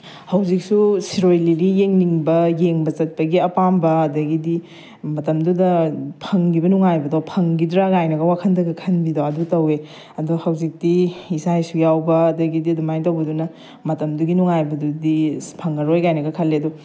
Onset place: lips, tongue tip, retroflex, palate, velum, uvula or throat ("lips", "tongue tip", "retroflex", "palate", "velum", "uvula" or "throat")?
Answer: throat